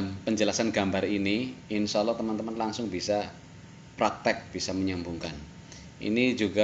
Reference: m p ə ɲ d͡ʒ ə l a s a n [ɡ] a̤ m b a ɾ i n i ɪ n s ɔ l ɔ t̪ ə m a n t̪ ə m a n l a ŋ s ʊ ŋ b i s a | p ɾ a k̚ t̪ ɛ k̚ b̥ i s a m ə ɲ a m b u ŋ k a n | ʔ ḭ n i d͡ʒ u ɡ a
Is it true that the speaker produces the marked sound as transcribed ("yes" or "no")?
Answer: yes